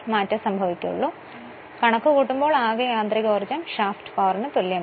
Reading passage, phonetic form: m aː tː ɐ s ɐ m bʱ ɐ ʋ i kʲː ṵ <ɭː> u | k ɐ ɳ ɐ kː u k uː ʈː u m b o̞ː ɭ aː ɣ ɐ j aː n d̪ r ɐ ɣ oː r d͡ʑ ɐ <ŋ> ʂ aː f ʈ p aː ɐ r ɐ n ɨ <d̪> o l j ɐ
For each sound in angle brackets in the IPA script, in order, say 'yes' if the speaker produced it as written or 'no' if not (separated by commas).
yes, no, no